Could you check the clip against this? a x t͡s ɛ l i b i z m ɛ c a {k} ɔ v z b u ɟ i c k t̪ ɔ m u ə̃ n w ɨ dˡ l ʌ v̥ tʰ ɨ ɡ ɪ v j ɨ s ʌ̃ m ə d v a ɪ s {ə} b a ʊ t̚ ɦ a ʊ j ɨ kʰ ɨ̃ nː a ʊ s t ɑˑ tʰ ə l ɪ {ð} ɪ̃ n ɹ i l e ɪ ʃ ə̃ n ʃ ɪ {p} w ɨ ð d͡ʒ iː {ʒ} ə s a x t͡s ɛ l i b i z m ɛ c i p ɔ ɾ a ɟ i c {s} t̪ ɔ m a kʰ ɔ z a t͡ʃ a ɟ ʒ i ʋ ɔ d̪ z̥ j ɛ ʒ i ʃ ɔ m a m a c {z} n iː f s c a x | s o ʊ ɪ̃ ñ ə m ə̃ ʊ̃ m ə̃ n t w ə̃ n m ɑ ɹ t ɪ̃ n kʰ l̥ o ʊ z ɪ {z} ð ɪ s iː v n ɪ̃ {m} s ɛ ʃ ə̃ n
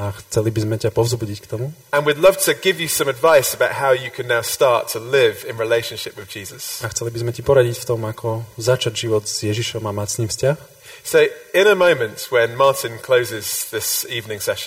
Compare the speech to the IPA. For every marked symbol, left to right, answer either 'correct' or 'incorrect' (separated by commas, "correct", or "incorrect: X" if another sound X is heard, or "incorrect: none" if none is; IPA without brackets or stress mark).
incorrect: p, correct, incorrect: v, correct, incorrect: z, incorrect: f, incorrect: s, correct, incorrect: ŋ